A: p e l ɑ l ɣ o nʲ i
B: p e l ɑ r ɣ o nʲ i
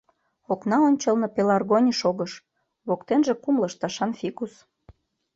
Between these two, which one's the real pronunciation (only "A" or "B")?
B